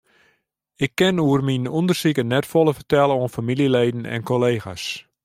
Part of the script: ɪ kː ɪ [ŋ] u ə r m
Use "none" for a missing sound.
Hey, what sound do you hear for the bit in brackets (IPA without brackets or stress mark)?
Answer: n